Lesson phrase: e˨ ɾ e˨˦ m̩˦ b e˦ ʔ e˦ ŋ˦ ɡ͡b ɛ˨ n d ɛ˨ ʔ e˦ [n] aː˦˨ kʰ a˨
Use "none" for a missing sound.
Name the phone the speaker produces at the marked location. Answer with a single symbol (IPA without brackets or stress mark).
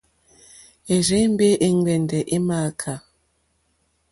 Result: m